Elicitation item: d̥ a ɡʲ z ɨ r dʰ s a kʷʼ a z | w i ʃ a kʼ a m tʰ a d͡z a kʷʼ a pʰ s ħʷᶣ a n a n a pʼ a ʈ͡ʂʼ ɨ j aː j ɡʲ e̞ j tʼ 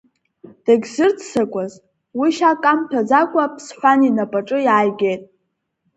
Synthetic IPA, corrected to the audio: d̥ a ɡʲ z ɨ r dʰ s a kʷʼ a z | w i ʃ a kʼ a m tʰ a d͡z a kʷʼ a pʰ s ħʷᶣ a n i n a pʼ a ʈ͡ʂʼ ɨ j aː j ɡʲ e̞ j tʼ